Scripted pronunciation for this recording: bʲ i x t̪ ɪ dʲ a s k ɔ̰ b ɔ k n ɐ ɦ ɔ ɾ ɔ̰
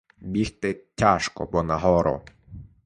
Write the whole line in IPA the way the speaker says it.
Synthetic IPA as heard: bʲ i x t̪ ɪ tʲ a ʃ k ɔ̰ b ɔ n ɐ ɦ ɔ ɾ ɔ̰